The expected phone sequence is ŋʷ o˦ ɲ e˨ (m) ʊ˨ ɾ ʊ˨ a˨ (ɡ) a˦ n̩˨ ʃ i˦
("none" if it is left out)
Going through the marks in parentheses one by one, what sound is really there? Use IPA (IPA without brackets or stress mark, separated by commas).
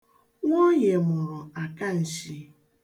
m, k